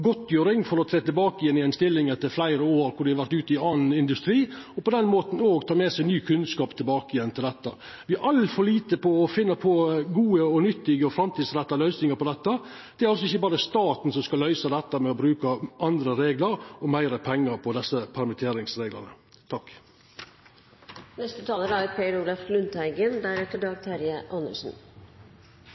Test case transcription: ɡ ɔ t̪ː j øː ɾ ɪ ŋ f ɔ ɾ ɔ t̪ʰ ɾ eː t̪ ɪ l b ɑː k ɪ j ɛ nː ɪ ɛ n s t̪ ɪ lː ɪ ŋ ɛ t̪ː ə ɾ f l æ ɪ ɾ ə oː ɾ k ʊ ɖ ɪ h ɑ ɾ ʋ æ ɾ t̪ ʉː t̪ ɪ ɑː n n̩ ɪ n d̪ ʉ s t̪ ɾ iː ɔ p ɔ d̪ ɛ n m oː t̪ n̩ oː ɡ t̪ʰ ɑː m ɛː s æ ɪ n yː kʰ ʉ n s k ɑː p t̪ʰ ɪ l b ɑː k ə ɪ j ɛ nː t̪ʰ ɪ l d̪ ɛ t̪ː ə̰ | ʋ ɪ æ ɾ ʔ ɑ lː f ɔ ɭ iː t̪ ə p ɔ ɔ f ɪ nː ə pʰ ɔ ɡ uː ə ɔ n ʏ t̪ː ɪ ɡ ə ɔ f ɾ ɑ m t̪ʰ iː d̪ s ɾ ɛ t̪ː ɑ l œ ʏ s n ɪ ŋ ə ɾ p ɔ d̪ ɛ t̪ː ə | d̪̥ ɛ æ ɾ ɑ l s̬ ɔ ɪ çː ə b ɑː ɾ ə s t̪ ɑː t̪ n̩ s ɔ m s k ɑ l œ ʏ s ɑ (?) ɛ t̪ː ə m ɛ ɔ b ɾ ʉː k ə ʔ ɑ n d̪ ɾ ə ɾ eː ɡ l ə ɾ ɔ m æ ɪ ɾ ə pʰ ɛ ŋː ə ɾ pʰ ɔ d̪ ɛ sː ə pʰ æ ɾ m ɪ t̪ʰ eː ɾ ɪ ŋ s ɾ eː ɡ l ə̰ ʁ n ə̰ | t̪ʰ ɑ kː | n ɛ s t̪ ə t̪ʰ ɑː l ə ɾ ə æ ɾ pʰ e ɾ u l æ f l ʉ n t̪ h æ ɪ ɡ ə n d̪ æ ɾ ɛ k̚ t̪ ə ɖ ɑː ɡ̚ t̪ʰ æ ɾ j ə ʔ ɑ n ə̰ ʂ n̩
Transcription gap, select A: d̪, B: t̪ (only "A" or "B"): A